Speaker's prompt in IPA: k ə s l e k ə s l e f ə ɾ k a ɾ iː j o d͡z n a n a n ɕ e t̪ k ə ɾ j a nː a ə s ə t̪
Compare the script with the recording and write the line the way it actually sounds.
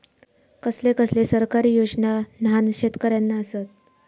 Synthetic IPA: k ə s l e k ə s l e s ə ɾ k a ɾ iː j o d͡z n a n a n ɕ e t̪ k ə ɾ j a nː a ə s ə t̪